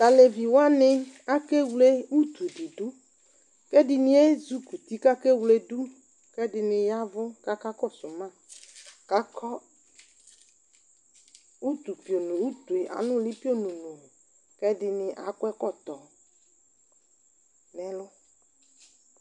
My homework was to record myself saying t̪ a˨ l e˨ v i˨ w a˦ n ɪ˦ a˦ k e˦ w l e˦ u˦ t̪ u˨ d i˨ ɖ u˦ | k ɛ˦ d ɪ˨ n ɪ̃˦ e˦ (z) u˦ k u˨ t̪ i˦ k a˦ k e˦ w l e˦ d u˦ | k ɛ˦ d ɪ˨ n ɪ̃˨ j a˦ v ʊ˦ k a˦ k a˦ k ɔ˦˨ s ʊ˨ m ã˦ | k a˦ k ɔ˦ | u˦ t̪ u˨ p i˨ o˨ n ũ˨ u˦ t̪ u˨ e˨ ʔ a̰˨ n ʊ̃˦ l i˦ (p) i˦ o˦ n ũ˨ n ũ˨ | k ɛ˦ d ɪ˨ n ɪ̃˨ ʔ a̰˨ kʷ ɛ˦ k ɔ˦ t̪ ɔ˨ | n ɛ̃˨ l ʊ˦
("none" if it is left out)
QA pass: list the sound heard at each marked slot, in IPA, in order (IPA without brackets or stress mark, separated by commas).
z, p